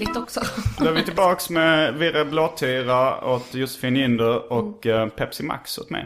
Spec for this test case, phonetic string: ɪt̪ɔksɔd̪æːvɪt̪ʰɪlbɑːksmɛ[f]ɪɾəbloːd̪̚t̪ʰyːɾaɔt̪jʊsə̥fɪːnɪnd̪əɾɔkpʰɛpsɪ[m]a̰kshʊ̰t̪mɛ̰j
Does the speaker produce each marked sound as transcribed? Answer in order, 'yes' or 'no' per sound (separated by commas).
no, yes